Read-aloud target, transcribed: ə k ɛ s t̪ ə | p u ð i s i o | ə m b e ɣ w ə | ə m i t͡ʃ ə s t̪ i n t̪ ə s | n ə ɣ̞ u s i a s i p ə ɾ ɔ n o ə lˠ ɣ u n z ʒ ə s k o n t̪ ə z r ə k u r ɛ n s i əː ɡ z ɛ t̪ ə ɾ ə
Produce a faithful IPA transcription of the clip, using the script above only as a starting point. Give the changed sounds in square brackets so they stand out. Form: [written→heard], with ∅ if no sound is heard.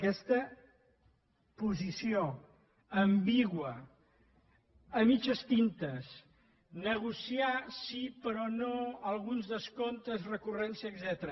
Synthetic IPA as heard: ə k ɛ s t̪ ə | p u [ð→z] i s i o | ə m b [e→i] ɣ w ə | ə m i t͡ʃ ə s t̪ i n t̪ ə s | n ə ɣ̞ u s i a s i p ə ɾ ɔ n o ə lˠ ɣ u n z [ʒ→ð] ə s k o n t̪ ə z r ə k u r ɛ n s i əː ɡ z ɛ t̪ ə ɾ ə